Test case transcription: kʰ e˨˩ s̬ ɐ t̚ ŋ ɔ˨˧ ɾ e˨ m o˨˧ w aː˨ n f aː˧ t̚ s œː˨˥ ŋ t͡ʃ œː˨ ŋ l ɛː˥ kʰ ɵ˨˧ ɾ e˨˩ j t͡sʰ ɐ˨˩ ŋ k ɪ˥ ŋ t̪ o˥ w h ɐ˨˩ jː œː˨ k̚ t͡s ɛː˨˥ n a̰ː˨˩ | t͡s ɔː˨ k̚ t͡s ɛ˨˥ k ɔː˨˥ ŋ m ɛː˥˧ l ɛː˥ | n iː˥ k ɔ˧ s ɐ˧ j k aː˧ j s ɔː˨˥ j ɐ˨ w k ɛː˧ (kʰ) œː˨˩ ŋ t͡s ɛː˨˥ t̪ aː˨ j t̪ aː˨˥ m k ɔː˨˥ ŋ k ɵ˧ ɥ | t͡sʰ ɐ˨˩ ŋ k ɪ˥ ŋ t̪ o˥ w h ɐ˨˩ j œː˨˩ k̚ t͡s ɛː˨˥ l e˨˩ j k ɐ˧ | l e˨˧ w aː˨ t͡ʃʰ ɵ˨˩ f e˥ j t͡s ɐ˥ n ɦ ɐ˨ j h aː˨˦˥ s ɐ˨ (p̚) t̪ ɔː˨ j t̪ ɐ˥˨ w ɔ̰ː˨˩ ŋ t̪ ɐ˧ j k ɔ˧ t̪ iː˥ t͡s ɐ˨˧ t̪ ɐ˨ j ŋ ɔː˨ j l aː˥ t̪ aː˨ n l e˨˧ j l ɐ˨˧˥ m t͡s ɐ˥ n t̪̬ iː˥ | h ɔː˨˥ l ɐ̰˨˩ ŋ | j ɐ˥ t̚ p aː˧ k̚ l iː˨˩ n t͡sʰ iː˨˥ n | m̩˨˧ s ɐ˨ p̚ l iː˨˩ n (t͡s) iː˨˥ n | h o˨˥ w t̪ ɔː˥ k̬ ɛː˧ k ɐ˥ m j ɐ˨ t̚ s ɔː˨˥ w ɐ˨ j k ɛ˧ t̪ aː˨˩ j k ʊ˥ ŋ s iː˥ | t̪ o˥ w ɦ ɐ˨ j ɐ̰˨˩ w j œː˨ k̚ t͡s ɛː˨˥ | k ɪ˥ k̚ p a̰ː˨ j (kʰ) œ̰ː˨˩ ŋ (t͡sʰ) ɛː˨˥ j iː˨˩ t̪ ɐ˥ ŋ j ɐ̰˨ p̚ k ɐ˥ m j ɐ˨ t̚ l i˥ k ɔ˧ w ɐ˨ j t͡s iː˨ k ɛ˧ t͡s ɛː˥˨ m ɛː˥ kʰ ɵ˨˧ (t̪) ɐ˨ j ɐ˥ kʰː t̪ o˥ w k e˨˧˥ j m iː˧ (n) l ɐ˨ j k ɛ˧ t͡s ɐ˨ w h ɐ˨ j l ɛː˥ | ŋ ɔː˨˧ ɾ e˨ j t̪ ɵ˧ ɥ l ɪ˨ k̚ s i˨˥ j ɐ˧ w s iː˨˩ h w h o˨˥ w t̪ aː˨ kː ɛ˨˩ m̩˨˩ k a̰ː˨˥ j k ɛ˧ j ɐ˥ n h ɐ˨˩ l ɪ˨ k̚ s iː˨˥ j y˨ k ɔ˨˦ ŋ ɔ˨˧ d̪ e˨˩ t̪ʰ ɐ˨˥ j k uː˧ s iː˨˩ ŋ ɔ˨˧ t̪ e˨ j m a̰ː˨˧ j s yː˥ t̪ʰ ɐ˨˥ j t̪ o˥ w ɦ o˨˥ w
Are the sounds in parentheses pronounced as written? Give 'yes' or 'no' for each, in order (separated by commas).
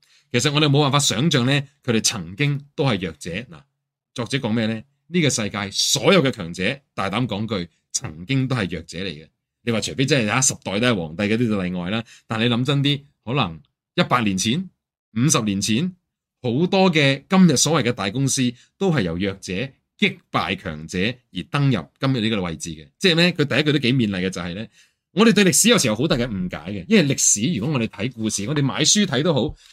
yes, yes, no, yes, no, yes, yes